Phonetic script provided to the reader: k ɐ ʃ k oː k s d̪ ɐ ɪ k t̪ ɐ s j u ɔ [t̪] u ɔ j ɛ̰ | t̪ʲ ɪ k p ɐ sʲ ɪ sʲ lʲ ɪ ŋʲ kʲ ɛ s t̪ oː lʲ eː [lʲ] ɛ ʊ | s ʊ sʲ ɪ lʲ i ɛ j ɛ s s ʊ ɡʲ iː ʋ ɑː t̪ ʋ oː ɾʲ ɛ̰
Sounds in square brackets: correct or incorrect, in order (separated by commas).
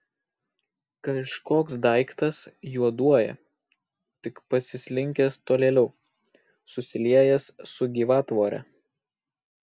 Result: incorrect, correct